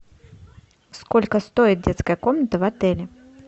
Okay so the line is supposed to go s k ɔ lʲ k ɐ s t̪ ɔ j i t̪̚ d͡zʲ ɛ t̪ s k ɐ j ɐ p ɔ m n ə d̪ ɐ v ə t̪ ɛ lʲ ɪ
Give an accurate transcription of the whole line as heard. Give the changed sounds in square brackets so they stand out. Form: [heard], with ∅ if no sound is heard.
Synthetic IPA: s k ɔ lʲ k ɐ s t̪ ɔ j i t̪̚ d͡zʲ ɛ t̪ s k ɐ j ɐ [k] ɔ m n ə [t̪] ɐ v [a] t̪ ɛ lʲ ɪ